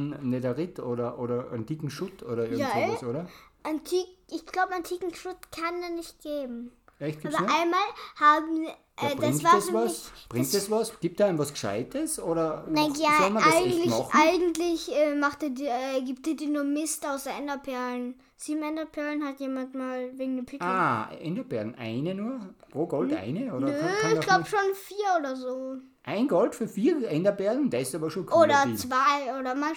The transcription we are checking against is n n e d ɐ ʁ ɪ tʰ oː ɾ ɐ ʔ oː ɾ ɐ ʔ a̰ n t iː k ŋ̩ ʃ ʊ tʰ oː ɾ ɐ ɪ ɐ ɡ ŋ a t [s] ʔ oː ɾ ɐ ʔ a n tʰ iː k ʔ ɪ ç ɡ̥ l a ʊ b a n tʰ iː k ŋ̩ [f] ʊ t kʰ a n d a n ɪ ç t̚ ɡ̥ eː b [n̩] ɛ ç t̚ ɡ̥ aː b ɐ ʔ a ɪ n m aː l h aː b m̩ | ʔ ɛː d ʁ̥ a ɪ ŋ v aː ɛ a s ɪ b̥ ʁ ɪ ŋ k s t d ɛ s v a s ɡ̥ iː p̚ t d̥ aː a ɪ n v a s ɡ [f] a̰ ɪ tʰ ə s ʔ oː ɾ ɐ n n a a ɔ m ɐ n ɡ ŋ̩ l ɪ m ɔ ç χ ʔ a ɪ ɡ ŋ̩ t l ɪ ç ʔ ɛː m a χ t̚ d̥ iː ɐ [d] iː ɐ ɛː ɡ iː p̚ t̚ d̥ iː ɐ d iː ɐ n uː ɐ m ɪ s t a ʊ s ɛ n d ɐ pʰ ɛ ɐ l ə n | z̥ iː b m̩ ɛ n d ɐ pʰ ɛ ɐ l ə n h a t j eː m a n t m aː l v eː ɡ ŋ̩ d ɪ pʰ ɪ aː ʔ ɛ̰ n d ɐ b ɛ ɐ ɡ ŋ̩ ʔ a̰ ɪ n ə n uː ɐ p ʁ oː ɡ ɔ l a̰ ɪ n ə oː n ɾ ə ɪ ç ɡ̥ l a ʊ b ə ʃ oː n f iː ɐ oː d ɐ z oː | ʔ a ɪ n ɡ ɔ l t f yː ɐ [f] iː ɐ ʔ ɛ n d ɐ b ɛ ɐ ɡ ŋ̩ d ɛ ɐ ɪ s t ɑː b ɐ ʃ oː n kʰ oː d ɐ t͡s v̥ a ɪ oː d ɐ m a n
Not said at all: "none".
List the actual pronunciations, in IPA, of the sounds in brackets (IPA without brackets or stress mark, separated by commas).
s, ʃ, m̩, ʃ, d, f